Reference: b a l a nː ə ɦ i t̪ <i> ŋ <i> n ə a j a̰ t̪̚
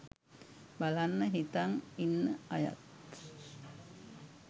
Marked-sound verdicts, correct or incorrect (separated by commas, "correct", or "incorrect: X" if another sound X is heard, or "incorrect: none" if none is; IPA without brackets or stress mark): incorrect: a, correct